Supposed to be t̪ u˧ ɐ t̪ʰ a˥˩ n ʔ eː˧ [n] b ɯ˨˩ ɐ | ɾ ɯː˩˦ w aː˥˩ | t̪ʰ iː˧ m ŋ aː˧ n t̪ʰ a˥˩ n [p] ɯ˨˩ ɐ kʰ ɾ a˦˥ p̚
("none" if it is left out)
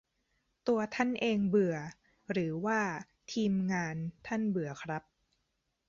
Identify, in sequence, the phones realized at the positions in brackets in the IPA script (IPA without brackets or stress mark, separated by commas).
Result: ŋ, b